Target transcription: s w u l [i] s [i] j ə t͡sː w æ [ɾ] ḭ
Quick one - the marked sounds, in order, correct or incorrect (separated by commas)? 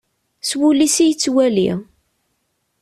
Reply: correct, correct, incorrect